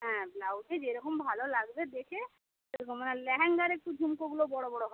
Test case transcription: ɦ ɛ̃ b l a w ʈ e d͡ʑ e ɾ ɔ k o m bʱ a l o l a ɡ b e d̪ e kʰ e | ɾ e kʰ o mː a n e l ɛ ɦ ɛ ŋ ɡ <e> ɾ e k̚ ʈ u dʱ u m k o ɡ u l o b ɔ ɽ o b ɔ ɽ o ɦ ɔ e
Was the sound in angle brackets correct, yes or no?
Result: no